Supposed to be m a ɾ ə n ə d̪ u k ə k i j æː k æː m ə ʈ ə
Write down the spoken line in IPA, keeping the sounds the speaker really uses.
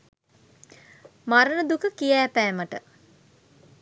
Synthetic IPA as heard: m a ɾ ə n ə d̪ u k ə k i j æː p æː m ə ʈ ə